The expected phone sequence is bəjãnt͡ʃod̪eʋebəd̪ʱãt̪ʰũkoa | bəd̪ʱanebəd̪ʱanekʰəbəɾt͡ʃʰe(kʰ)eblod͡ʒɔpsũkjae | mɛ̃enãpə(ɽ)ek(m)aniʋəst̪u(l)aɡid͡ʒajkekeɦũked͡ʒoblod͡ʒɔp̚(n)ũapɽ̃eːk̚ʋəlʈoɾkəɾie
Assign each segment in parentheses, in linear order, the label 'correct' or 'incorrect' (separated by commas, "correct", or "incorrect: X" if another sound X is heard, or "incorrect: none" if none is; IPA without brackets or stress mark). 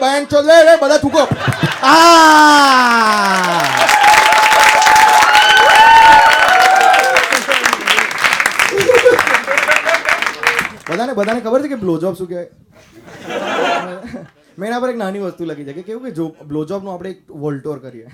incorrect: k, incorrect: ɾ, incorrect: n, correct, correct